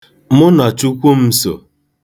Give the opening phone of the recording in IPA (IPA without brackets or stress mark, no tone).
m